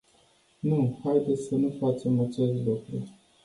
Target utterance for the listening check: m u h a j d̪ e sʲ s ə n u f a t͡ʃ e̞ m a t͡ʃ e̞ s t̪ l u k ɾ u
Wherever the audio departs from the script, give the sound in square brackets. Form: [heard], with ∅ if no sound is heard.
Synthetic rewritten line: [n] u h a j d̪ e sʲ s ə n u f a t͡ʃ e̞ m a t͡ʃ e̞ s t̪ l u k ɾ u